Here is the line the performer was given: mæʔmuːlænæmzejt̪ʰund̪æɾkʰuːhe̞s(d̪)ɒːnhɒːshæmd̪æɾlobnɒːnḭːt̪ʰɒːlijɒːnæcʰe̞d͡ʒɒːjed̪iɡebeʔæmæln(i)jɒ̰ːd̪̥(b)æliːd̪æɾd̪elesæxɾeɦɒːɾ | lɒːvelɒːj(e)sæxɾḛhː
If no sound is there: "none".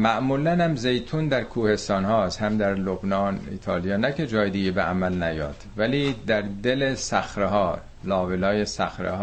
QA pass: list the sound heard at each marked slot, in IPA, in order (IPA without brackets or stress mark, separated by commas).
t̪, æ, v, e